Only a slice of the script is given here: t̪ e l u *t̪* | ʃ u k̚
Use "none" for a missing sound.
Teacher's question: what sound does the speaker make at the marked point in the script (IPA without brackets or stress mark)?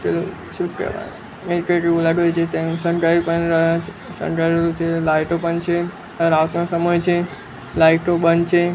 none